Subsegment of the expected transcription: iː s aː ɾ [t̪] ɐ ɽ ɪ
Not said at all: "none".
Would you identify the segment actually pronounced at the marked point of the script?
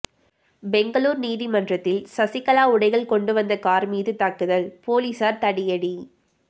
t̪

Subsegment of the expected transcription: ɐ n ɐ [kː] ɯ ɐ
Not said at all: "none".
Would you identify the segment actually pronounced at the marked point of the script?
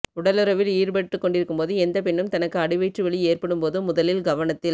kː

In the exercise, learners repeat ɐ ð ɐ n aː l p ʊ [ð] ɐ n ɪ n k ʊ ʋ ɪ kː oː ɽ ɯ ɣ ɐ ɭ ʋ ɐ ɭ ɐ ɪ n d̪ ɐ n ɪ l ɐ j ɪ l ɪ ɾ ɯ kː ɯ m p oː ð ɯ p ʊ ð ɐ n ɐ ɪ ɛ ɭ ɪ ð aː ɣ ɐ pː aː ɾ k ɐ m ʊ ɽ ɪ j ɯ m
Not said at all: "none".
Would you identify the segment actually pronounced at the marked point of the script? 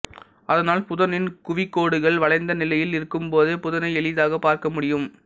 ð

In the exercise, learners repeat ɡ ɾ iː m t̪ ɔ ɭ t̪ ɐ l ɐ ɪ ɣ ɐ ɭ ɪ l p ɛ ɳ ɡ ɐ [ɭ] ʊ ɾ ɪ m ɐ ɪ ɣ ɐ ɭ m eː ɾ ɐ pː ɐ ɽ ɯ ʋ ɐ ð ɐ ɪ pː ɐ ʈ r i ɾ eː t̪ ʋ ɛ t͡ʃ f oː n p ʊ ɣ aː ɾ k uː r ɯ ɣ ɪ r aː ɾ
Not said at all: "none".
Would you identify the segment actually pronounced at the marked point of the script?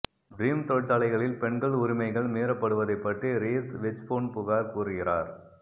ɭ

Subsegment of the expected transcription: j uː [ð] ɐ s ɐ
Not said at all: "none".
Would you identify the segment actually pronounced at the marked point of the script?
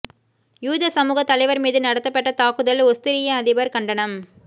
ð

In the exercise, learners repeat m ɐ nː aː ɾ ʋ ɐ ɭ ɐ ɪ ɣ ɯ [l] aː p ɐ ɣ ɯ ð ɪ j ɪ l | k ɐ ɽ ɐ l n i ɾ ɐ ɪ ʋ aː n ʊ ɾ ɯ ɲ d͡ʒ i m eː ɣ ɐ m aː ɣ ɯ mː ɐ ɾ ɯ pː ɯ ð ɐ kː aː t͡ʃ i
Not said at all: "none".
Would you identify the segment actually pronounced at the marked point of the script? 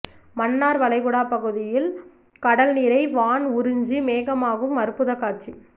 ɽ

